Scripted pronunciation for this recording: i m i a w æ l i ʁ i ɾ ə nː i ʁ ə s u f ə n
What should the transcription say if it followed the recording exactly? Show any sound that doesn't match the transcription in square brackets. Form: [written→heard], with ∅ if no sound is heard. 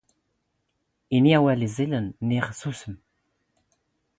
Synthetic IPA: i [m→n] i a w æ l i [ʁ→z] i [ɾ→l] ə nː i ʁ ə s u [f→s] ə [n→m]